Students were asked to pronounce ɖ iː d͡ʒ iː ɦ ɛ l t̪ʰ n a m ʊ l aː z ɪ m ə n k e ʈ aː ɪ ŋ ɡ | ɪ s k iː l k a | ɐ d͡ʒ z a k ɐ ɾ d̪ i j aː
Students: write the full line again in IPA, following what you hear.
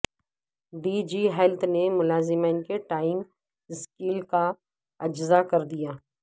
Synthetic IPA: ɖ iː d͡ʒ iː ɦ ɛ l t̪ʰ n e m ʊ l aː z ɪ m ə n k e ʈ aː ɪ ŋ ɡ | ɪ s k iː l k a | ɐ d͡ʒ z a k ɐ ɾ d̪ i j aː